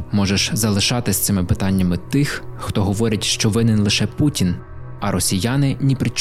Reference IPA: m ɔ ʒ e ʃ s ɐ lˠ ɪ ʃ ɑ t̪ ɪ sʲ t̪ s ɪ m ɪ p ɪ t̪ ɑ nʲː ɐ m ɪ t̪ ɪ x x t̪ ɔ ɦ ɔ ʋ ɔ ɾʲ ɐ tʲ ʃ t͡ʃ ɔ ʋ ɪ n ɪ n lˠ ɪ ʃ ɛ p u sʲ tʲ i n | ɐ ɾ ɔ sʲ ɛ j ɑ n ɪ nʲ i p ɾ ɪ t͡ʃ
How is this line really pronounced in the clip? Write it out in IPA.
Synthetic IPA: m ɔ ʒ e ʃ z ɐ lˠ ɪ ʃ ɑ t̪ ɪ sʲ t̪ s ɪ m ɪ p ɪ t̪ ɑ nʲː ɐ m ɪ t̪ ɪ x x t̪ ɔ ɦ ɔ ʋ ɔ ɾʲ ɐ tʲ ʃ t͡ʃ ɔ ʋ ɪ n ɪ n lˠ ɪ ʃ ɛ p u tʲ i n | ɐ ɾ ɔ sʲ i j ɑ n ɪ nʲ i p ɾ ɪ t͡ʃ